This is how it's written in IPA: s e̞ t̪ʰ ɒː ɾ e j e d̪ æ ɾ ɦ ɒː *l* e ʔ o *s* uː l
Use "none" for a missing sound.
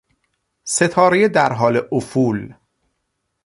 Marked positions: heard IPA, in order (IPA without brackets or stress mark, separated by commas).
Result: l, f